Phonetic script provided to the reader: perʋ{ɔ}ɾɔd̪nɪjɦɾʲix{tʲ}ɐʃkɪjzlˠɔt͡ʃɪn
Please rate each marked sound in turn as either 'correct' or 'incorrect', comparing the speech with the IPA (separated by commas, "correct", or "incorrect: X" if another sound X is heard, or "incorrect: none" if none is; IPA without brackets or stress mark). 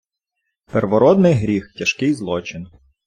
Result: correct, correct